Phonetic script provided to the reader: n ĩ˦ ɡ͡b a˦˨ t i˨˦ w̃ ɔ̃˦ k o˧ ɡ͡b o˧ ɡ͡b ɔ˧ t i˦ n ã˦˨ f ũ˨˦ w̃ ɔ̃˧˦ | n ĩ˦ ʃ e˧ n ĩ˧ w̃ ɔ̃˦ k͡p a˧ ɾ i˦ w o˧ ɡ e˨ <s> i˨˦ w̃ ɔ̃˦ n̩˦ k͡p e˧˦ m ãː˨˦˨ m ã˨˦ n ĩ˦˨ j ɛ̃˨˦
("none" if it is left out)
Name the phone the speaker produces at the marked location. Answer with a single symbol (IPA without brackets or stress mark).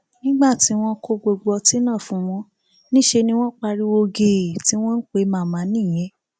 t